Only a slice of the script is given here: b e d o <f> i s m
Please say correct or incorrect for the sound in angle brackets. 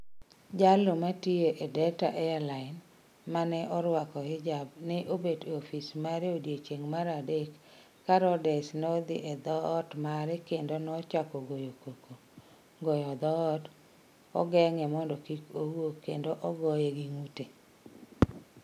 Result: correct